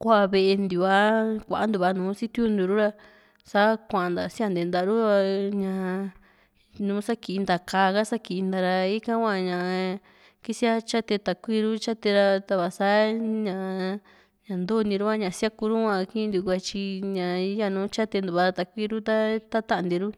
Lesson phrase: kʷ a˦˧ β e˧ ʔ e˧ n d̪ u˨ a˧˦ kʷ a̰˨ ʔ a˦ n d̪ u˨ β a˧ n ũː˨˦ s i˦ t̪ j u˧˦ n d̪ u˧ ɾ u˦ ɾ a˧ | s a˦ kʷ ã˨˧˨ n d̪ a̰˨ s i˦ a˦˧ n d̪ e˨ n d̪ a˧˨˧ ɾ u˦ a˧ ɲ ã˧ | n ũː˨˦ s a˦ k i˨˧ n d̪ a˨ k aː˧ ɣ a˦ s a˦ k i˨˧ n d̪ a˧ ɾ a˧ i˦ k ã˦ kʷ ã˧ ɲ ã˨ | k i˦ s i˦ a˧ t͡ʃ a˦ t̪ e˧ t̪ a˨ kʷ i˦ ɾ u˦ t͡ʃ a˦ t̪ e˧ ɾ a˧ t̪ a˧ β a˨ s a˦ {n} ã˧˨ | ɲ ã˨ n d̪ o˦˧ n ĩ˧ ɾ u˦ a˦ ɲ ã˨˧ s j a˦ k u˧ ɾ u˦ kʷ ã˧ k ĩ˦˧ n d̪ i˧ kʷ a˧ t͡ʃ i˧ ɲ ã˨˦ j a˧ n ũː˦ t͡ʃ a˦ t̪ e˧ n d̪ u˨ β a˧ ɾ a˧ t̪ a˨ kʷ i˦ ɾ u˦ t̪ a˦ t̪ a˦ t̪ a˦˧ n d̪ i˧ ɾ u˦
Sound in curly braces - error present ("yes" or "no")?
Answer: yes